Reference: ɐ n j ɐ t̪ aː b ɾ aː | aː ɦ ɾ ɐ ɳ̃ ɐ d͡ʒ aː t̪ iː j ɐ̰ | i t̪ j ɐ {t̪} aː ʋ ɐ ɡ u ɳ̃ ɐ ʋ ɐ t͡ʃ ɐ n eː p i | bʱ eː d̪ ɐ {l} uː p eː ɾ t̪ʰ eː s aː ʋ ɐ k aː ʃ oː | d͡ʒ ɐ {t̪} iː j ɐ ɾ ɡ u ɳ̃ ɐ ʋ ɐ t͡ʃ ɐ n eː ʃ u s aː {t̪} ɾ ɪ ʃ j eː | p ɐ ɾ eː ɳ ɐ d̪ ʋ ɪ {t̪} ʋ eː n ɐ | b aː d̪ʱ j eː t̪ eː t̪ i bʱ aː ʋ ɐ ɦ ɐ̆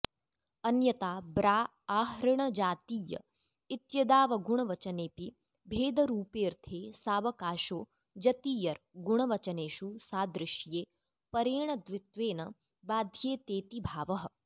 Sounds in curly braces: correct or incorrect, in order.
incorrect, incorrect, correct, incorrect, correct

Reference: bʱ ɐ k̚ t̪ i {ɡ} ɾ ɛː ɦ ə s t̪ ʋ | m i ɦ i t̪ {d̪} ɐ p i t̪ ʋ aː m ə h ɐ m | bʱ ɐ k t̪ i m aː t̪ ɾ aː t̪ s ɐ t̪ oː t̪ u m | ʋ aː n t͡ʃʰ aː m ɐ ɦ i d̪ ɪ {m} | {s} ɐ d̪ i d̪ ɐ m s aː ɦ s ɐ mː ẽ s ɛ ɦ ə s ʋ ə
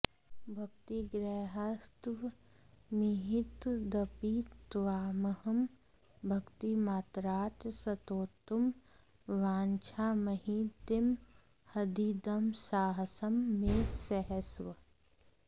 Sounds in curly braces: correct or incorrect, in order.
correct, correct, correct, incorrect

